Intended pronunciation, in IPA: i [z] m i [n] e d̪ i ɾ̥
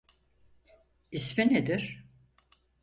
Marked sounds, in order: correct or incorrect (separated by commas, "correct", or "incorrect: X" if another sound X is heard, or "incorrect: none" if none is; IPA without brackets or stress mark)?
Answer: incorrect: s, correct